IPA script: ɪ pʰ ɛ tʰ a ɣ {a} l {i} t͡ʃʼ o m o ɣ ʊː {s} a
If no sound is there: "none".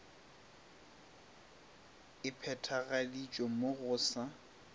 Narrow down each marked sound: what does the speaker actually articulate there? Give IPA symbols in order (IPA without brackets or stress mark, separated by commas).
a, i, s